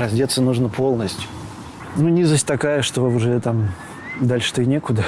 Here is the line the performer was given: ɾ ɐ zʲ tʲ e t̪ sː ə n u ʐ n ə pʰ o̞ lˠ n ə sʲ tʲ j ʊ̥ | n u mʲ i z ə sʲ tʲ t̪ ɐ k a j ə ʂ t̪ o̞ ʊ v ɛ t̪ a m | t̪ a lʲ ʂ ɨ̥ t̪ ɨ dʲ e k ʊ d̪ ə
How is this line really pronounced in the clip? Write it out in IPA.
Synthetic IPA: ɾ ɐ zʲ dʲ e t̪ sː ə n u ʐ n ə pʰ o̞ lˠ n ə sʲ tʲ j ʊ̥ | n u nʲ i z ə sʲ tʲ t̪ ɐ k a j ə ʂ t̪ o̞ ʊ ʐ ɛ t̪ a m | d̪ a lʲ ʂ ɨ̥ t̪ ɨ nʲ e k ʊ d̪ ə